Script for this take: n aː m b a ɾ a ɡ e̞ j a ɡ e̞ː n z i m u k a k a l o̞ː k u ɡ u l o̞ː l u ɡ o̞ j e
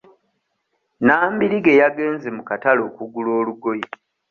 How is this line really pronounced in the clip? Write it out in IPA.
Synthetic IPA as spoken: n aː m b i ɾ i ɡ e̞ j a ɡ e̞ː n z e m u k a t a l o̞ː k u ɡ u l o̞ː l u ɡ o̞ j e